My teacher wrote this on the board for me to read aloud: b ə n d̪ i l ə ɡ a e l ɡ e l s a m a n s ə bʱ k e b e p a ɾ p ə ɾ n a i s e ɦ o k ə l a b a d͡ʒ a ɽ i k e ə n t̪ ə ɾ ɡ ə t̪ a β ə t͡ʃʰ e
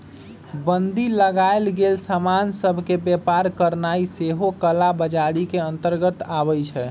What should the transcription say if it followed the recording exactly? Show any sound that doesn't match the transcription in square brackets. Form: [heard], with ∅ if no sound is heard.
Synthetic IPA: b ə n d̪ i l ə ɡ a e l ɡ e l s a m a n s ə bʱ k e b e p a ɾ [k] ə ɾ n a i s e ɦ o k ə l a b [ə] d͡ʒ a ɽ i k e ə n t̪ ə ɾ ɡ ə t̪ a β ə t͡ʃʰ [ɛ]